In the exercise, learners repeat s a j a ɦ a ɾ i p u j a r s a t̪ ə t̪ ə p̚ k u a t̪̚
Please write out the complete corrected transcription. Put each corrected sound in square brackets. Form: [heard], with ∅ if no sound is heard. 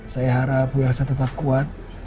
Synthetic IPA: s a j a ɦ a ɾ [a] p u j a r s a t̪ ə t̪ [a] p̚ k u a t̪̚